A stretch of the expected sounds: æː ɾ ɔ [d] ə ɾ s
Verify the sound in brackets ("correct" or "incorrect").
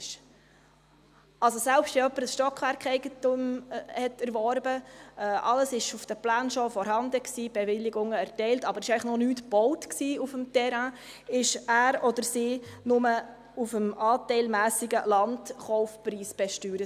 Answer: correct